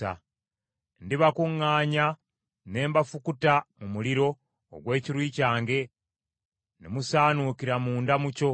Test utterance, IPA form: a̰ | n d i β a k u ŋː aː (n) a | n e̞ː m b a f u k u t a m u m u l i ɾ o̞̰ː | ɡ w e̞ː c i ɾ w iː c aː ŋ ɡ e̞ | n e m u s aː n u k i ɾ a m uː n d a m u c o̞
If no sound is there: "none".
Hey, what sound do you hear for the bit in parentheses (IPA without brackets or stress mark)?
ɲ